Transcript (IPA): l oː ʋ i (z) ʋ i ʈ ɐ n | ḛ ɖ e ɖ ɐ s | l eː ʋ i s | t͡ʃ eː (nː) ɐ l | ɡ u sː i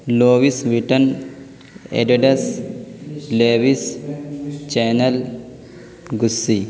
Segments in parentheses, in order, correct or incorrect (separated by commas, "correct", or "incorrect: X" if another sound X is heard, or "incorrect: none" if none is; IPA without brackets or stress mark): incorrect: s, incorrect: n